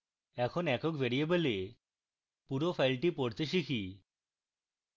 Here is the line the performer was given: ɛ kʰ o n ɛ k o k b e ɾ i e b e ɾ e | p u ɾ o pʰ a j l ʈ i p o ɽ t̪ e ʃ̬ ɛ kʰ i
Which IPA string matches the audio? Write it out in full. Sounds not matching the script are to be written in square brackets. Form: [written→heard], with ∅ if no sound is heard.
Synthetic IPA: ɛ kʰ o n ɛ k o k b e ɾ i e b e [ɾ→l] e | p u ɾ o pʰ a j l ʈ i p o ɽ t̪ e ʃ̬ [ɛ→i] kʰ i